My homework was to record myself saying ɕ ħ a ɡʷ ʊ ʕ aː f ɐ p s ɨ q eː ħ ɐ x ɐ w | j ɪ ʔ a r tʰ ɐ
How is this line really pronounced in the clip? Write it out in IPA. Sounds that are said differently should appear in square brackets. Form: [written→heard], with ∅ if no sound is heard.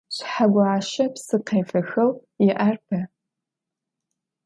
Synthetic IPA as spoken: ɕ ħ a ɡʷ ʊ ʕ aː [f→ʃ] ɐ p s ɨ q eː [ħ→f] ɐ x ɐ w | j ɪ ʔ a r [tʰ→pʰ] ɐ